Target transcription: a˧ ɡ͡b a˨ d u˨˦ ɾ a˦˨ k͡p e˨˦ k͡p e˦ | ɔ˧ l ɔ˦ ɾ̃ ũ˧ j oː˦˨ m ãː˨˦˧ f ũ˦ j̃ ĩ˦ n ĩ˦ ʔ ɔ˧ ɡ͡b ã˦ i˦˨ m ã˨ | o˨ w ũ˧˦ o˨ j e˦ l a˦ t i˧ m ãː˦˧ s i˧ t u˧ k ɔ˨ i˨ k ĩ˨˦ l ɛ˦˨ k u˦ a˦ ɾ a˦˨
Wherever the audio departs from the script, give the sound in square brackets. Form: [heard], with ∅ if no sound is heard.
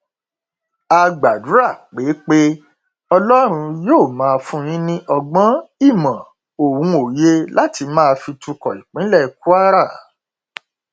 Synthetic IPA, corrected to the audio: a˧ ɡ͡b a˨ d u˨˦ ɾ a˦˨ k͡p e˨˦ k͡p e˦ | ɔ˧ l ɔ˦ ɾ̃ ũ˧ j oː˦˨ m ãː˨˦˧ f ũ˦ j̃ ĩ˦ n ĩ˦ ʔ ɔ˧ ɡ͡b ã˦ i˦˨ m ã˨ | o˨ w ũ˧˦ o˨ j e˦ l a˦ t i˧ m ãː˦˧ [f] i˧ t u˧ k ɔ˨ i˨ [k͡p] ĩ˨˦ l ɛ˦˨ k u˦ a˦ ɾ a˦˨